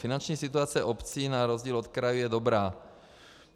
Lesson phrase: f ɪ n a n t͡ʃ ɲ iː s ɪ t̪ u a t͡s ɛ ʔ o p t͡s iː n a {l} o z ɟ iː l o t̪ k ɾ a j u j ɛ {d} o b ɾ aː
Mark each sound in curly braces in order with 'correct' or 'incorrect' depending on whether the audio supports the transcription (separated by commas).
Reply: incorrect, correct